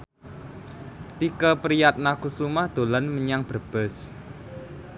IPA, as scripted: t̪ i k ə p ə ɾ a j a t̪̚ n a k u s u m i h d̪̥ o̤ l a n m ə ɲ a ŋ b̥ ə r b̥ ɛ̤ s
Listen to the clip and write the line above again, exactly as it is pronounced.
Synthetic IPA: t̪ i k ə p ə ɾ i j a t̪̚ n a k u s u m a h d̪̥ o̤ l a n m ə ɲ a ŋ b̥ ə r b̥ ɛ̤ s